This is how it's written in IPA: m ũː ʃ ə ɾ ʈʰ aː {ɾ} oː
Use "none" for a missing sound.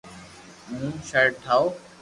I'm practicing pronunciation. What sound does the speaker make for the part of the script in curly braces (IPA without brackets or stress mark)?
none